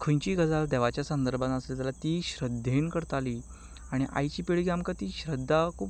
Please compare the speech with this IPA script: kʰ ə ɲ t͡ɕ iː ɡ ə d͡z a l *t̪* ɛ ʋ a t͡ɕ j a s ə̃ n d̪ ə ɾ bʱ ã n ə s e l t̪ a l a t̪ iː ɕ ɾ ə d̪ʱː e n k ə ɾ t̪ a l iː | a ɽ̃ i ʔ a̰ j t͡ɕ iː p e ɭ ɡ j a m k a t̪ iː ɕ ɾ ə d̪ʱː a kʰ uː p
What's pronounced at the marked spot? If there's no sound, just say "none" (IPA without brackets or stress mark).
d̪